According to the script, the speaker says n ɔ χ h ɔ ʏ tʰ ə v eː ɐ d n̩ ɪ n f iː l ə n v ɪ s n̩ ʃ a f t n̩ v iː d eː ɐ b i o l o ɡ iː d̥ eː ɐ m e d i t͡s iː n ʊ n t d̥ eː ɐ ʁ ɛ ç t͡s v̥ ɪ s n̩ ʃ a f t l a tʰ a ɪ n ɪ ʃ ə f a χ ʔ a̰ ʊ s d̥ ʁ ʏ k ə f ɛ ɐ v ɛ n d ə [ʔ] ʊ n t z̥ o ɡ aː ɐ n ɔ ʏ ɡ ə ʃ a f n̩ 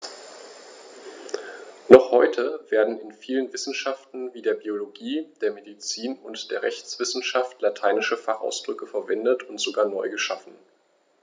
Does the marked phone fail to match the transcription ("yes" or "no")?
yes